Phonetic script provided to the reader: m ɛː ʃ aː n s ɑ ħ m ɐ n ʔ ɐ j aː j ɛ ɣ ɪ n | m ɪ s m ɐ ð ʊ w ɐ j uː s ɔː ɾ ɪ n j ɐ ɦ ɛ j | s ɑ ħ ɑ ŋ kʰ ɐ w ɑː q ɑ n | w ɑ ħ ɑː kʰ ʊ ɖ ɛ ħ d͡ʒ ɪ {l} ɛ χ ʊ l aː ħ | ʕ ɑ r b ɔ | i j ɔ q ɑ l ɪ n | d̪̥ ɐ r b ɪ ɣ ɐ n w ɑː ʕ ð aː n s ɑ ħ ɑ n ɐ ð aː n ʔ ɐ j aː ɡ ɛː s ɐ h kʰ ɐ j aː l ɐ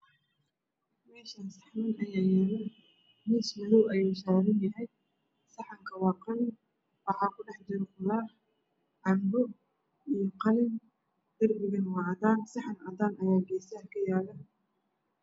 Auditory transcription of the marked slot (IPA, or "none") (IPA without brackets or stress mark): ɾ